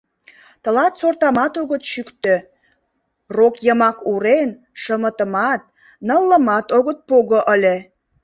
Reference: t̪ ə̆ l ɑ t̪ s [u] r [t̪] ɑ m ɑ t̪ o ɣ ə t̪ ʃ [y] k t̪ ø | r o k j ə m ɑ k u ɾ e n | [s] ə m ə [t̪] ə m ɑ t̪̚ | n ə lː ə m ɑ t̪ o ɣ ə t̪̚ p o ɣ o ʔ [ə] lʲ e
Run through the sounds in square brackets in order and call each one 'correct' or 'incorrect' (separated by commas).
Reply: incorrect, correct, correct, incorrect, correct, correct